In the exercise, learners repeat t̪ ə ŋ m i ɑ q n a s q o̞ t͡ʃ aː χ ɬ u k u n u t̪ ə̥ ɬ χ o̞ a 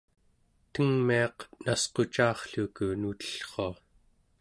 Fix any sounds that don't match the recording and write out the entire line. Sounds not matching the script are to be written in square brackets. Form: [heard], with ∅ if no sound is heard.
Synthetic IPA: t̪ ə ŋ m i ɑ q n a s q o̞ t͡ʃ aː χ ɬ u k u n u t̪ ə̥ ɬ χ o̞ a